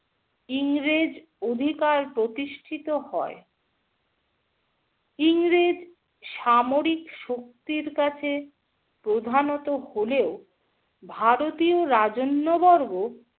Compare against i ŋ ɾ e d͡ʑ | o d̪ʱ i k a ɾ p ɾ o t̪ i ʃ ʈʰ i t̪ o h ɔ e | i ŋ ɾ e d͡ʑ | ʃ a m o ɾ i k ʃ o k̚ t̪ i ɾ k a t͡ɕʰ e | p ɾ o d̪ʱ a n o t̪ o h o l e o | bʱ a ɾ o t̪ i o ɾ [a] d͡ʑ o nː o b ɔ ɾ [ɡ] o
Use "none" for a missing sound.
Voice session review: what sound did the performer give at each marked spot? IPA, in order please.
a, ɡ

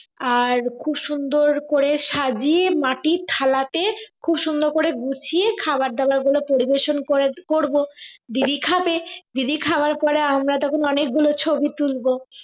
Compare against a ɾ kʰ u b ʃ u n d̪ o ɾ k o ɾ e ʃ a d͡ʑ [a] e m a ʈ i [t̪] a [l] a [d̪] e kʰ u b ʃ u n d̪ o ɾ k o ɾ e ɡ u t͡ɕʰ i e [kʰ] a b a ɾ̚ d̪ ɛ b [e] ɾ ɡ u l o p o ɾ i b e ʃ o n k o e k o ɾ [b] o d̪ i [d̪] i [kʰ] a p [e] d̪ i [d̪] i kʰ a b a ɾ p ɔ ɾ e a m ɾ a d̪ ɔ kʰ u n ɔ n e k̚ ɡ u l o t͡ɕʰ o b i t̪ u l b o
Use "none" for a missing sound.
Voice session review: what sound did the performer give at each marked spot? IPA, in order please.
i, t̪ʰ, l, t̪, kʰ, a, b, d̪, kʰ, e, d̪

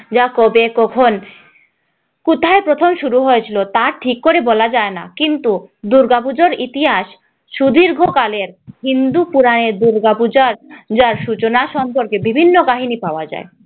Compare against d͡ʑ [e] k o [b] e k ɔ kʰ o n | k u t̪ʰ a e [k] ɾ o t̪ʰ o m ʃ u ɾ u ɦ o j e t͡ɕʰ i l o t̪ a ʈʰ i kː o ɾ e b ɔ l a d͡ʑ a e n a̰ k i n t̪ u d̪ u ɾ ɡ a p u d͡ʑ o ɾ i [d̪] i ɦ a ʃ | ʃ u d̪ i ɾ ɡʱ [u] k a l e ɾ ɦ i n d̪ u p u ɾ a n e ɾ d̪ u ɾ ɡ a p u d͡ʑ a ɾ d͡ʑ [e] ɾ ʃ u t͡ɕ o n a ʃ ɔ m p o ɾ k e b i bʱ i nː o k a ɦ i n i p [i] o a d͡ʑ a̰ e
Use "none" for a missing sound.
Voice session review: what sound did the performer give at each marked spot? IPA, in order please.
a, b, p, t̪, o, a, a

